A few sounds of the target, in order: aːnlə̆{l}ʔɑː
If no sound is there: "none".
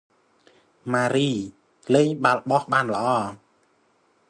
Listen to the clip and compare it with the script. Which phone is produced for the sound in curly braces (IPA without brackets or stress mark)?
none